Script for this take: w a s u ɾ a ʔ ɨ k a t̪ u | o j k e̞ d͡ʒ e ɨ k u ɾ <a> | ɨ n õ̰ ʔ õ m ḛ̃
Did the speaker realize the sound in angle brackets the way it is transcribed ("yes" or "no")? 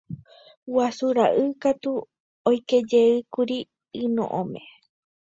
no